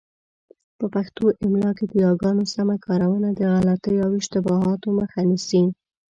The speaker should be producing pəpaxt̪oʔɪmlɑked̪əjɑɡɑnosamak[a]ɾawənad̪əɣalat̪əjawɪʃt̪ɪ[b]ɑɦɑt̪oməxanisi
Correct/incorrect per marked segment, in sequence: incorrect: ɑ, correct

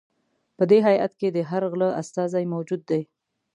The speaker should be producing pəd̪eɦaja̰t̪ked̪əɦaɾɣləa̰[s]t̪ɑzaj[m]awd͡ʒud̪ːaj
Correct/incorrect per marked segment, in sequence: correct, correct

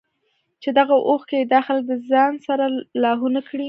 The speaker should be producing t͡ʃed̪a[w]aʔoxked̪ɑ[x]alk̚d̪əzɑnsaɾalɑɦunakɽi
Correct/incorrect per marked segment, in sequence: incorrect: ɣ, correct

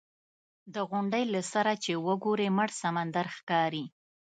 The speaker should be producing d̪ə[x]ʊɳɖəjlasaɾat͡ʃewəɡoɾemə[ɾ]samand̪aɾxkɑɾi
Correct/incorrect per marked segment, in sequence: incorrect: ɣ, incorrect: ɽ

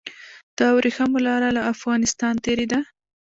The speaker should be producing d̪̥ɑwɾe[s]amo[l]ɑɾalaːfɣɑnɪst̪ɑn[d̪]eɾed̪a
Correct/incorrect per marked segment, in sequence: incorrect: x, correct, incorrect: t̪

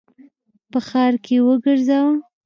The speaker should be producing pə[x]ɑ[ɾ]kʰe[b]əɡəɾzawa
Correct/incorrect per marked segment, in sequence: correct, correct, incorrect: w

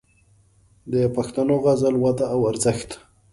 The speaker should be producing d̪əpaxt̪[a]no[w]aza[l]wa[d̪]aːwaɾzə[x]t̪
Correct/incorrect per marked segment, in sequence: correct, incorrect: ɣ, correct, correct, correct

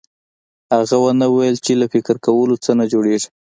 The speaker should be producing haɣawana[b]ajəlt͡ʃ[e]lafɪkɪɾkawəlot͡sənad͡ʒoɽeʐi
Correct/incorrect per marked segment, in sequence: incorrect: w, correct

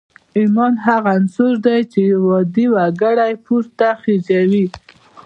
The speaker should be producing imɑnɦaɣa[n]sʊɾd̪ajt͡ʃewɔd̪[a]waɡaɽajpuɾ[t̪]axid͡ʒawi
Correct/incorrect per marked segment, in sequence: correct, incorrect: i, correct

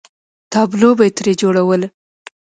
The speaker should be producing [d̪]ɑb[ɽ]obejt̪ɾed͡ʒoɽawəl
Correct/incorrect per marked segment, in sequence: incorrect: t̪, incorrect: l

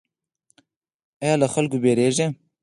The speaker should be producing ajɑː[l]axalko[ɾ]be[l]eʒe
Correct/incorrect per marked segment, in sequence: correct, incorrect: none, incorrect: ɾ

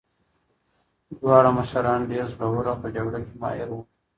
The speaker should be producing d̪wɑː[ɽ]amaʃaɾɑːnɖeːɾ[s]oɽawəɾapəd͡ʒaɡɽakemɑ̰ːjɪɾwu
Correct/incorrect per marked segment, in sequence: correct, incorrect: z

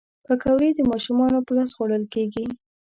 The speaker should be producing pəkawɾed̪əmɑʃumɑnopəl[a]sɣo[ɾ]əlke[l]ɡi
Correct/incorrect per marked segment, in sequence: incorrect: ɑ, incorrect: ɽ, incorrect: none

